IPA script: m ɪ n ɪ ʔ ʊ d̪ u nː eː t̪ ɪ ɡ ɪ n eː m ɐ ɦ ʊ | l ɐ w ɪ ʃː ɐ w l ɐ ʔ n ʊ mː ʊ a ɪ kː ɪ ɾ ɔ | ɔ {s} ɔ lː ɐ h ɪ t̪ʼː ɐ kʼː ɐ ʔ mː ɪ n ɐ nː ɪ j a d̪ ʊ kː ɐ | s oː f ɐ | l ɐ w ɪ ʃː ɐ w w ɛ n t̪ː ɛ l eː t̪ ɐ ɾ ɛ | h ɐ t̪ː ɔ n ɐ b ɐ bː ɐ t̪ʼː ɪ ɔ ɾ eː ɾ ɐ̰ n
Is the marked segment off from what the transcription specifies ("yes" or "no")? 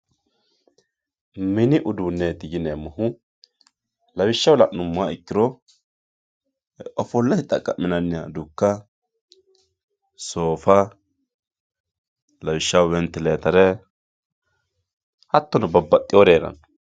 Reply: yes